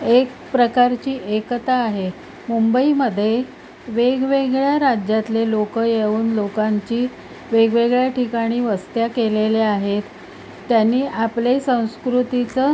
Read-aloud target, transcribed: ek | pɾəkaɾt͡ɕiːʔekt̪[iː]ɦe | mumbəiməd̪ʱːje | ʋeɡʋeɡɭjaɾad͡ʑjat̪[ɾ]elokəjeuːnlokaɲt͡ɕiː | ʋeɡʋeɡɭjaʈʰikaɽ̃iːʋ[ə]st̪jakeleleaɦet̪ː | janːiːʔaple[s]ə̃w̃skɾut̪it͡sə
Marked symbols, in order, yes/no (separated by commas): no, no, yes, yes